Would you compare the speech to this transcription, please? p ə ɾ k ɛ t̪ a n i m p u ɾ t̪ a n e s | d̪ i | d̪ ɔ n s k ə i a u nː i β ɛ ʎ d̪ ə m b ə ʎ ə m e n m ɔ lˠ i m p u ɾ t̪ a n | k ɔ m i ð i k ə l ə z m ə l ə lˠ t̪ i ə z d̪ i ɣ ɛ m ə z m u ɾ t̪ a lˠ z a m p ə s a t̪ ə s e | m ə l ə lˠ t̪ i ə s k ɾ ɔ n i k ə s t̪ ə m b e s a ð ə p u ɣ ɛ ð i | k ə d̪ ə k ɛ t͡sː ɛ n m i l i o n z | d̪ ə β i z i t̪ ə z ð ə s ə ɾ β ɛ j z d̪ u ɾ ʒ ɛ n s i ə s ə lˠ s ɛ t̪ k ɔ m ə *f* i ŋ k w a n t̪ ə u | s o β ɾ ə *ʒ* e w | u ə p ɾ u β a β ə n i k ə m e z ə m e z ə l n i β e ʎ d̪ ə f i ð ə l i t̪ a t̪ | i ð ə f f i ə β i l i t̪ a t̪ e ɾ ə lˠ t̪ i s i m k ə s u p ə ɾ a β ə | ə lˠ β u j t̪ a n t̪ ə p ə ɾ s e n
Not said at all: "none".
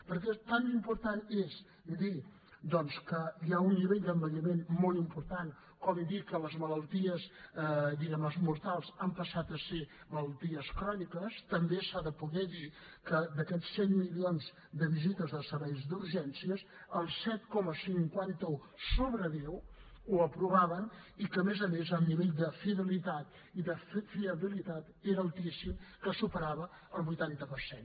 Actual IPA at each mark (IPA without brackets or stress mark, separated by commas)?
s, ð